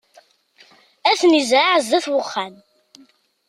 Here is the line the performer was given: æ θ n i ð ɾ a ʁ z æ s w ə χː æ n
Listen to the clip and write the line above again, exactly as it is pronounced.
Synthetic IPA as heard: æ θ n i z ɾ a ʕ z æ θ w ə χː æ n